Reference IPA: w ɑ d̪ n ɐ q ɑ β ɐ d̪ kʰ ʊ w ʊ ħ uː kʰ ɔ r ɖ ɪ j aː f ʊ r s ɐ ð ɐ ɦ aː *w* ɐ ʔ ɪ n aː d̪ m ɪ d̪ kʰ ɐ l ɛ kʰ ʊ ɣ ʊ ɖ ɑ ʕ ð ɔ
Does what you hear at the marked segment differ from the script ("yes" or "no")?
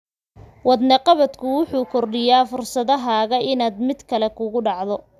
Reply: yes